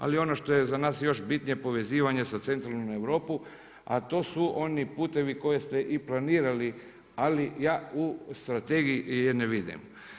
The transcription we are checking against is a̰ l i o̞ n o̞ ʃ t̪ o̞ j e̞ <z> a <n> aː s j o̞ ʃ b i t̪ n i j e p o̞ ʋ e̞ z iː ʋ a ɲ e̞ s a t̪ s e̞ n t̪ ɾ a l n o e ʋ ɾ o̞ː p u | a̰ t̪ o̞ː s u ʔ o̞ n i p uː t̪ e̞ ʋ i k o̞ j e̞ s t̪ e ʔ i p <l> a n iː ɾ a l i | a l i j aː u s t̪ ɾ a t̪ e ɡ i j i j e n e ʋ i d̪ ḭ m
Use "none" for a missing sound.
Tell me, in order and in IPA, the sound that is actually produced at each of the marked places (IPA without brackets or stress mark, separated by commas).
z, n, l